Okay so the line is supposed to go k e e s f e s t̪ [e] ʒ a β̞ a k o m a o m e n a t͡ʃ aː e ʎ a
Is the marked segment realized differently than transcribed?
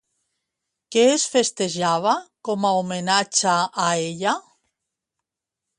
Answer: no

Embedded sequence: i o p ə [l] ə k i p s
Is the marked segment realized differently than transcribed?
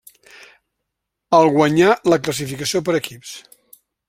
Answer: yes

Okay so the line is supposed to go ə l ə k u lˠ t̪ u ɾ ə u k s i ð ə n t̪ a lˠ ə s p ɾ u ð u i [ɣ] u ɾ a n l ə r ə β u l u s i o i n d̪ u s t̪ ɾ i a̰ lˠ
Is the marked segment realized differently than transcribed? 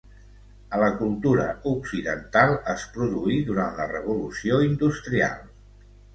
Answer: yes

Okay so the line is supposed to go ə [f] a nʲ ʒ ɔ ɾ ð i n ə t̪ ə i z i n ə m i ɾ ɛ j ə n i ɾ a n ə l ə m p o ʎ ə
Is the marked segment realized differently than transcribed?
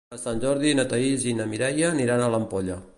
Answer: yes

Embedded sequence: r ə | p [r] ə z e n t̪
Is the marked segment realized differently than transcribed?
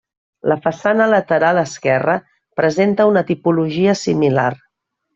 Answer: yes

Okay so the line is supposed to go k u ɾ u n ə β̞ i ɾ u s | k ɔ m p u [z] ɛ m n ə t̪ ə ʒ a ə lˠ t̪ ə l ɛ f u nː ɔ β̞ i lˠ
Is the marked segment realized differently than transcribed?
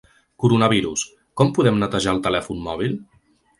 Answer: yes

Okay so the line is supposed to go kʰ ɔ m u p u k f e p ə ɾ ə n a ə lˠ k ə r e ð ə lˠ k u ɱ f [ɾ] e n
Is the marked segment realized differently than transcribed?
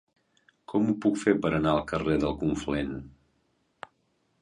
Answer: yes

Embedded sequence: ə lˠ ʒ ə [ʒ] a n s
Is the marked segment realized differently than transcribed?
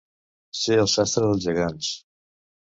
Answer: yes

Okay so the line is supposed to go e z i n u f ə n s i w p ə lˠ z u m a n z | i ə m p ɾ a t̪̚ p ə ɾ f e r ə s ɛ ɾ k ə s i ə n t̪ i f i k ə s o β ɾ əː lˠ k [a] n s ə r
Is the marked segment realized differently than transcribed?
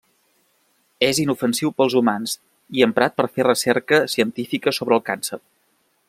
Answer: no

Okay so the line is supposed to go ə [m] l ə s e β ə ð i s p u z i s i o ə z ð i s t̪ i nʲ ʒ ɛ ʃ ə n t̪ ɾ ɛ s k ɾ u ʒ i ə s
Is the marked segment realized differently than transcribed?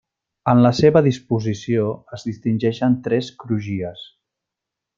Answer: yes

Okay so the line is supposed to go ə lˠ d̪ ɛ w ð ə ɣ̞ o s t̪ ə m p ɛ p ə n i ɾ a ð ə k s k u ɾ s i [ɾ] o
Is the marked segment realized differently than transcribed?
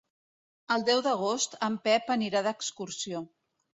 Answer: yes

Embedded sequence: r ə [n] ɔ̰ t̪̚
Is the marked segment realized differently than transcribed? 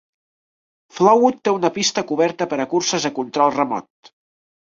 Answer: yes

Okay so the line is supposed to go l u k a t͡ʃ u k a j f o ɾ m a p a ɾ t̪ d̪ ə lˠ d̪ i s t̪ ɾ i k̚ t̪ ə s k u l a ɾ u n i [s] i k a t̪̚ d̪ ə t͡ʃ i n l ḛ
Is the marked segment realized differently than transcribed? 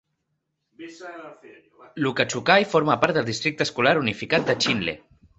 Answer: yes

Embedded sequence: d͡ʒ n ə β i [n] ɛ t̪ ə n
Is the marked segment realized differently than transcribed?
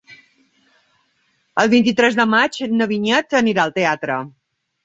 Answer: yes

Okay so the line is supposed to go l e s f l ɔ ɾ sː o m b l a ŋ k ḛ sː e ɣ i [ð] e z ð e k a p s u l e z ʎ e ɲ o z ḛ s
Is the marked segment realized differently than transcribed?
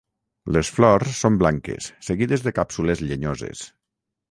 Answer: no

